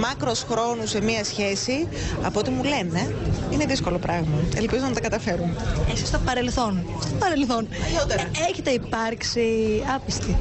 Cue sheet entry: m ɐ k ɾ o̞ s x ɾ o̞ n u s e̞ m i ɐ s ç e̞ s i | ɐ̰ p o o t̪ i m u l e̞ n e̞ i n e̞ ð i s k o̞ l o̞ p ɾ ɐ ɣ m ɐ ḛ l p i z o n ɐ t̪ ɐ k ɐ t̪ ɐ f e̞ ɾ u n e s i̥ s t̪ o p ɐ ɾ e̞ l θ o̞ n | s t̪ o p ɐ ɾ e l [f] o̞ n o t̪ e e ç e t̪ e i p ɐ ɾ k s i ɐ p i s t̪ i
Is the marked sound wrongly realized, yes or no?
yes